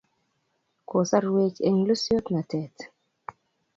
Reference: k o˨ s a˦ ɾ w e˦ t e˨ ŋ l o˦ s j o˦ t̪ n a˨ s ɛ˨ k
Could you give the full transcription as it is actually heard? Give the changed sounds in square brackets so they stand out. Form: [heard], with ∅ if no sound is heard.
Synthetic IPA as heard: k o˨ s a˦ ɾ w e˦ [t͡ʃ] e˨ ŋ l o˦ s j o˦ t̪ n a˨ [t] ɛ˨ [t]